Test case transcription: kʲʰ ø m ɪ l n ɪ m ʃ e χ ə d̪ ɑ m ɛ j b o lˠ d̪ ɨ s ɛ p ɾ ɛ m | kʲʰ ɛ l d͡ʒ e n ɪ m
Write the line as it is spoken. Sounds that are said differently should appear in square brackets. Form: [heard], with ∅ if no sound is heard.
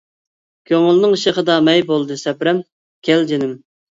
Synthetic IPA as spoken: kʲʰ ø [ŋ] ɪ l n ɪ [ŋ] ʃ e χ ə d̪ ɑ m ɛ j b o lˠ d̪ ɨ s ɛ p ɾ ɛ m | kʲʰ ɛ l d͡ʒ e n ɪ m